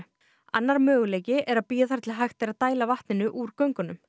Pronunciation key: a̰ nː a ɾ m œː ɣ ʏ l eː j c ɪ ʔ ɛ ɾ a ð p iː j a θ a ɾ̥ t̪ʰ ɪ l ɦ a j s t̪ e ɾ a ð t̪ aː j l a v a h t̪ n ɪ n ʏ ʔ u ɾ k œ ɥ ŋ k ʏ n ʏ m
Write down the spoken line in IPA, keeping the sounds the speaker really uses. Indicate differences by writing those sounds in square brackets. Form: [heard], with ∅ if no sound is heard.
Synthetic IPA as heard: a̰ nː a ɾ m œː ɣ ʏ l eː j c ɪ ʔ ɛ ɾ a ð p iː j a θ a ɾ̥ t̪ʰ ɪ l ɦ a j [x] t̪ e ɾ a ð t̪ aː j l a v a h t̪ n ɪ n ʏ ʔ u ɾ k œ ɥ ŋ k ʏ n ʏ m